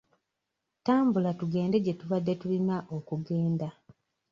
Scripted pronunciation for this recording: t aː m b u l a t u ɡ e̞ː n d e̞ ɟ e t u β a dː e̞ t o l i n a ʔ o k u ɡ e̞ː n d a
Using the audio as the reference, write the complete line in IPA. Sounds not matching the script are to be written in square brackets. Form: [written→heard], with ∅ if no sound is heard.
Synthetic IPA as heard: t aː m b u l a t u ɡ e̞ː n d e̞ ɟ e t u β a dː e̞ t [o→u] l i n a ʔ o k u ɡ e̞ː n d a